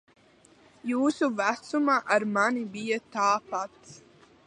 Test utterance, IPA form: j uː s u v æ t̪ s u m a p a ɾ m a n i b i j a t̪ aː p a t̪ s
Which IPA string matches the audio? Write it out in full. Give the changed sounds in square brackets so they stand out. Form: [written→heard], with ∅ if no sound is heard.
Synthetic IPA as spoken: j uː s u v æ t̪ s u m a [p→ʔ] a ɾ m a n i b i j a t̪ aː p a t̪ s